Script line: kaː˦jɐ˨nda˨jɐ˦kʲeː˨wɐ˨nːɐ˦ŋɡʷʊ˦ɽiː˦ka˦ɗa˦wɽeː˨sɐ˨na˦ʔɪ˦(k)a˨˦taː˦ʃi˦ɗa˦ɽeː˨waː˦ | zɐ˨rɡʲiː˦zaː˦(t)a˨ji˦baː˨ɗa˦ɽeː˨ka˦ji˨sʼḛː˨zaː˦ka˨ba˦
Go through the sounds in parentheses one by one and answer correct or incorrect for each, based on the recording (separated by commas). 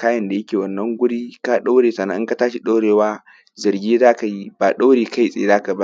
correct, incorrect